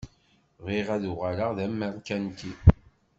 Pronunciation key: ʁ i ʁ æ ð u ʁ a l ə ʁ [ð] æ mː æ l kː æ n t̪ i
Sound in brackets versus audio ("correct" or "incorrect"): correct